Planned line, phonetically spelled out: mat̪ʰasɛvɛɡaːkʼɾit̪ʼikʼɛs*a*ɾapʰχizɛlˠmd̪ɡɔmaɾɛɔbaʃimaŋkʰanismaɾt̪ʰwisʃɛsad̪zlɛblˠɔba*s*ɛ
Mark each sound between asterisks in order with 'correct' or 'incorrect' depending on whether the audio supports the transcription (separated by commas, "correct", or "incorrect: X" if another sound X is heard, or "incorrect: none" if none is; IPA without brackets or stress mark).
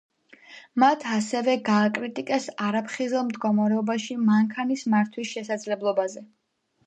correct, incorrect: z